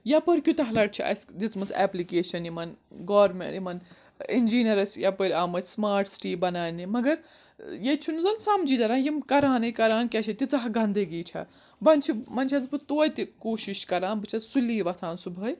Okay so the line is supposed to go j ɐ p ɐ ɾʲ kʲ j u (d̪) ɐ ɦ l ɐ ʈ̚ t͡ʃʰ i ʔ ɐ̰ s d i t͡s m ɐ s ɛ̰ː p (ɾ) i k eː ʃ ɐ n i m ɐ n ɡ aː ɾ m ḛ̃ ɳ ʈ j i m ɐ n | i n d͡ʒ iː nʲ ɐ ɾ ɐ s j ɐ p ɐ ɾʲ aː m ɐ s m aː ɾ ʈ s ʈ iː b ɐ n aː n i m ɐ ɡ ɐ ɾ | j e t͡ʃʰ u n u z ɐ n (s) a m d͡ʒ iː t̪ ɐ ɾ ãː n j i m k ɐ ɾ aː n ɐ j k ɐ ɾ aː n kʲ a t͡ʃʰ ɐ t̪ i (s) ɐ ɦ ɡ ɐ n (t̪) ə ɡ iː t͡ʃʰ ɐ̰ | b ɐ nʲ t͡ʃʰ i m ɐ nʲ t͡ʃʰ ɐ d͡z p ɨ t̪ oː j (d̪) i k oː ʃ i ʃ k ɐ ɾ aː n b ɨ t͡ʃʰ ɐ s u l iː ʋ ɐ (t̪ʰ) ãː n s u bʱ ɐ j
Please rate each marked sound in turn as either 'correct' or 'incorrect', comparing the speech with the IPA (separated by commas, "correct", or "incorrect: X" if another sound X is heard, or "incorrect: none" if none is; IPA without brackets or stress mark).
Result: incorrect: t̪, incorrect: l, correct, incorrect: t͡s, incorrect: d̪, incorrect: t̪, correct